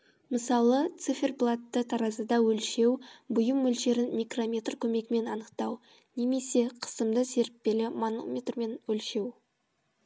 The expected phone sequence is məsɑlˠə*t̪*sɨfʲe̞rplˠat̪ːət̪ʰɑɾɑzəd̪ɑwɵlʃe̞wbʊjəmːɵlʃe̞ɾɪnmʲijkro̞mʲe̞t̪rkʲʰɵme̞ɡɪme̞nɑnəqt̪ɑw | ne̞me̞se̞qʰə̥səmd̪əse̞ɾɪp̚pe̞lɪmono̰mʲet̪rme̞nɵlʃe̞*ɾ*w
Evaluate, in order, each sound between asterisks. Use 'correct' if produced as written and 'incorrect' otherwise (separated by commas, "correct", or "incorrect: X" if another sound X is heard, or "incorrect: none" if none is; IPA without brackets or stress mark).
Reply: correct, incorrect: none